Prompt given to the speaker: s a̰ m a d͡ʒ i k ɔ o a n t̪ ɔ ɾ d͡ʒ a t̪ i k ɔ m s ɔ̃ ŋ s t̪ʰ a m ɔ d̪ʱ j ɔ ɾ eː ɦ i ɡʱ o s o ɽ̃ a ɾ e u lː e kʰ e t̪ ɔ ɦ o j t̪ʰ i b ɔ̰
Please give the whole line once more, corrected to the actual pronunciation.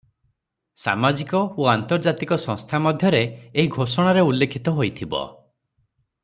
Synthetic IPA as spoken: s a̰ m a d͡ʒ i k ɔ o a n t̪ ɔ ɾ d͡ʒ a t̪ i k ɔ s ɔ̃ ŋ s t̪ʰ a m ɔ d̪ʱ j ɔ ɾ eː ɦ i ɡʱ o s ɔ ɽ̃ a ɾ e u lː e kʰ i t̪ ɔ ɦ o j t̪ʰ i b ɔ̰